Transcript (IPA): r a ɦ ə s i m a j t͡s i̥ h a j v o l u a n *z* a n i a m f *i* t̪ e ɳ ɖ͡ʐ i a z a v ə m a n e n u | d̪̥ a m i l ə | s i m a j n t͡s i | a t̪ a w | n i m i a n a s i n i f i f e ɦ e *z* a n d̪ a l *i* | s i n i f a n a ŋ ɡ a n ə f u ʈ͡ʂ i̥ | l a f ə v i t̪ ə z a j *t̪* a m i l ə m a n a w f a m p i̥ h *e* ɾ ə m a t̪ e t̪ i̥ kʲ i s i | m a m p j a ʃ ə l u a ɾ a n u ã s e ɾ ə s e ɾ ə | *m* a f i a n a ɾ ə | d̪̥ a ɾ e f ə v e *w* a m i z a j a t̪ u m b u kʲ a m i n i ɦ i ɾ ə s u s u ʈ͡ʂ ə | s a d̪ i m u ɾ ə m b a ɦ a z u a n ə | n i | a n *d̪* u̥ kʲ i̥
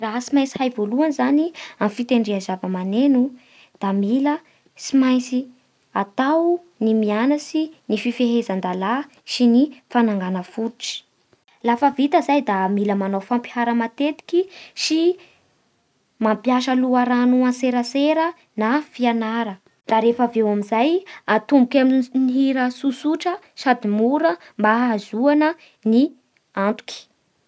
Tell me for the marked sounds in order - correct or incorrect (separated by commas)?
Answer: correct, correct, correct, incorrect, incorrect, incorrect, incorrect, correct, incorrect